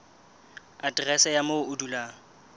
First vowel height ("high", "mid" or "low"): low